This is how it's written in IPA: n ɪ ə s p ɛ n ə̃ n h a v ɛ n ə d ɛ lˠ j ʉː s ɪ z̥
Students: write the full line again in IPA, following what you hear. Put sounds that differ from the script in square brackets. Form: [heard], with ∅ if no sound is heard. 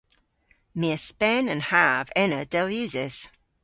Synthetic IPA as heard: [m] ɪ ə s p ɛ n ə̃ n h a v ɛ n ə d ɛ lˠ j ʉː [z] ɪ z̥